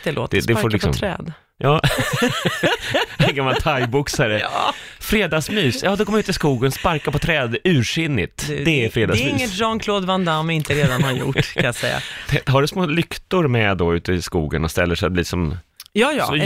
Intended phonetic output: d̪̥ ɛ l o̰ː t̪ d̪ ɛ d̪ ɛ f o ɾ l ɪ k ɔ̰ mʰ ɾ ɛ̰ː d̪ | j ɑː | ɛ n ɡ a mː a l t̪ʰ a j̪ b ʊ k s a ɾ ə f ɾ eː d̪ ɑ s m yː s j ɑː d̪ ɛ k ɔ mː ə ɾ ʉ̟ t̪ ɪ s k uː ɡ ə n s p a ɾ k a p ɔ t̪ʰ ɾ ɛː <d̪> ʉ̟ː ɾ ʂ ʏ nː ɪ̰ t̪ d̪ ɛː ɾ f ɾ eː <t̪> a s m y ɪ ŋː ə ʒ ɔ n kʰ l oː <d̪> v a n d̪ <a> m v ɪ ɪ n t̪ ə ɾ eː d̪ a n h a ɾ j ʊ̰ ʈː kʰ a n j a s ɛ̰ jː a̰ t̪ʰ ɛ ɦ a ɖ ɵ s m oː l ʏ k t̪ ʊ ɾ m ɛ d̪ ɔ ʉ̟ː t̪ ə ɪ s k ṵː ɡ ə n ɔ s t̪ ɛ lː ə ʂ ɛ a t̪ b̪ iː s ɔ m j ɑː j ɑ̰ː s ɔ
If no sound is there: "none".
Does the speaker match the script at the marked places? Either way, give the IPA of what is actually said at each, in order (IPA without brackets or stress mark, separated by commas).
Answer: d̪, d̪, d̪, a